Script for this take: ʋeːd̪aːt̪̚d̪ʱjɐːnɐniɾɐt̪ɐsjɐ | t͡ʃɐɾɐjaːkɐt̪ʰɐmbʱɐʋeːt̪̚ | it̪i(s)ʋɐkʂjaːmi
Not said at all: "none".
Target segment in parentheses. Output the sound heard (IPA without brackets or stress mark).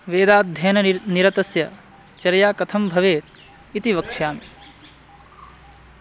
none